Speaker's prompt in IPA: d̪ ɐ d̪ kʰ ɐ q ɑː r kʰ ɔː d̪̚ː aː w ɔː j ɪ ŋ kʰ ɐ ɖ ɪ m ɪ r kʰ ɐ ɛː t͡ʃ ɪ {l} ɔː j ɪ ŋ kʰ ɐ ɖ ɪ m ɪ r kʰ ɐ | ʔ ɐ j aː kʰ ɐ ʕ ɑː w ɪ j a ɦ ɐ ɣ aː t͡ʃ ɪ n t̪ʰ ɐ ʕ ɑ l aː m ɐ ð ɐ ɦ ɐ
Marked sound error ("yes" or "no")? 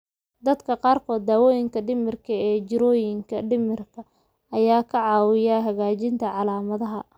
yes